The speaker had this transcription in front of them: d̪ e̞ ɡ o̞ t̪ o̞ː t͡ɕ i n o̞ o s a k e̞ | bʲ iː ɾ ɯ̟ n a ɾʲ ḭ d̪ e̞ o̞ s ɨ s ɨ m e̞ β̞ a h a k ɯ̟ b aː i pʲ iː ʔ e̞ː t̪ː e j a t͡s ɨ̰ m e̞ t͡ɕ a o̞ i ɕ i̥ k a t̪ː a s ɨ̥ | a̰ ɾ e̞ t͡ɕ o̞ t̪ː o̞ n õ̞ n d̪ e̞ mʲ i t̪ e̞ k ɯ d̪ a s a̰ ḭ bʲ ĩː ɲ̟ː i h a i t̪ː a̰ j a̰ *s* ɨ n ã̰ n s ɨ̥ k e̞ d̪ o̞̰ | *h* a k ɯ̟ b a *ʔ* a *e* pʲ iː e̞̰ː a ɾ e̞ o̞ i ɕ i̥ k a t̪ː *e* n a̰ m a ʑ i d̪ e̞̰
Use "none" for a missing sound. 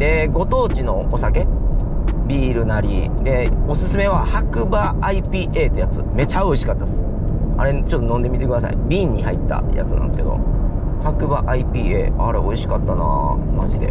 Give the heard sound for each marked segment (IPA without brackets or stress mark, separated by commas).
t͡s, h, ʔ, i, a